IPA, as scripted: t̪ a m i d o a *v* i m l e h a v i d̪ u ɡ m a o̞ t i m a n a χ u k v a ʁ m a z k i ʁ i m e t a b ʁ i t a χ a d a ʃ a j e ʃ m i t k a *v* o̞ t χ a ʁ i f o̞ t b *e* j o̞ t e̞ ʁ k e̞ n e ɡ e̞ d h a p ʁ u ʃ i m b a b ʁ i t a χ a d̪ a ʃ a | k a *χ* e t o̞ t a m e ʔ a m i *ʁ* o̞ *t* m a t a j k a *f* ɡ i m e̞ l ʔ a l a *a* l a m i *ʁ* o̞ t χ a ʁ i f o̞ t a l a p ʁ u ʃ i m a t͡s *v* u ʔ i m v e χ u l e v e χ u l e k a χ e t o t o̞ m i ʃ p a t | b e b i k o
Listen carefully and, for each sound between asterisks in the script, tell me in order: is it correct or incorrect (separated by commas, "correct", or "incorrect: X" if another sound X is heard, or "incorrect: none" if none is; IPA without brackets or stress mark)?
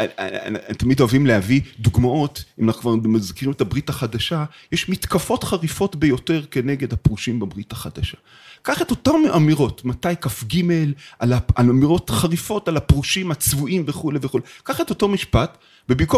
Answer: correct, incorrect: f, correct, correct, correct, correct, correct, correct, correct, correct